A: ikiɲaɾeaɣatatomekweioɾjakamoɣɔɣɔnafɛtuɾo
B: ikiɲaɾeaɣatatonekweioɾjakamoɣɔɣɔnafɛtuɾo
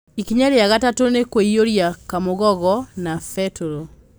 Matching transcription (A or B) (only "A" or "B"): B